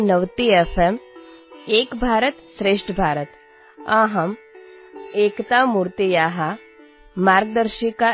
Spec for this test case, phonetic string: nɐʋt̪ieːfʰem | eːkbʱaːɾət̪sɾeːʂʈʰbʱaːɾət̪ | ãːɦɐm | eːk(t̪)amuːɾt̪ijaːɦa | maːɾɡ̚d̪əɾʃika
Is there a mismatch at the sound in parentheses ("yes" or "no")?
no